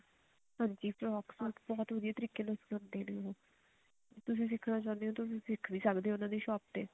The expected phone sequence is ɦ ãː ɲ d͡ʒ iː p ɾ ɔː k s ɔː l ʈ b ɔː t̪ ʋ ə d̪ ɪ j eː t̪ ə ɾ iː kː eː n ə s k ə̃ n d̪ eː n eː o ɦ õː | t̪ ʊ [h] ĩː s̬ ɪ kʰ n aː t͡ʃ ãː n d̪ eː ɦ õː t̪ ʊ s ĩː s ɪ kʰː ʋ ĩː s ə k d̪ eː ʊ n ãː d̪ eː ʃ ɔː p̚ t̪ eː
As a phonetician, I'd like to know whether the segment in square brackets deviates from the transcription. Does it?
yes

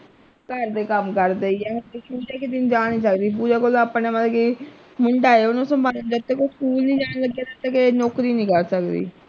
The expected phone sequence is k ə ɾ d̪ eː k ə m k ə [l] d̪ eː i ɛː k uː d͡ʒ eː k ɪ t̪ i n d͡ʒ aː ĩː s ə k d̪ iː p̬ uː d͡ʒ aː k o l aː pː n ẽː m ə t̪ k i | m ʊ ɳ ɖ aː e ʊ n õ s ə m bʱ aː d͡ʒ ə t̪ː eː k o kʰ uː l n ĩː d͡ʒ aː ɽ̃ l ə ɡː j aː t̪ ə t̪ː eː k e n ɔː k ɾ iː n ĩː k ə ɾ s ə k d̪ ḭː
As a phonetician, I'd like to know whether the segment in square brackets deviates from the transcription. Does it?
yes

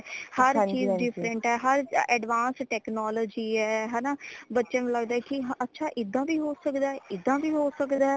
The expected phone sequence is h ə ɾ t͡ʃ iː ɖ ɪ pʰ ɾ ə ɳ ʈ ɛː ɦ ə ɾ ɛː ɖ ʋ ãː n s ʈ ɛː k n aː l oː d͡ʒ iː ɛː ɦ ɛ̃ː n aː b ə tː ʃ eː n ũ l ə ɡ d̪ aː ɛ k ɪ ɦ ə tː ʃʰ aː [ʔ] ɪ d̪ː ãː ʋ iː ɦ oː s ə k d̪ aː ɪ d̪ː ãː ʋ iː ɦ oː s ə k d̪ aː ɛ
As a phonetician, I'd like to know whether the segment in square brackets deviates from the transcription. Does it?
no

